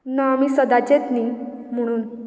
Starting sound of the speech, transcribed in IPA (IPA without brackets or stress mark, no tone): n